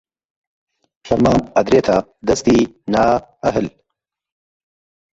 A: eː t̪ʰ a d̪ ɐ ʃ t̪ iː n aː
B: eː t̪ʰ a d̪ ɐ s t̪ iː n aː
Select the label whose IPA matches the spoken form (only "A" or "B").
B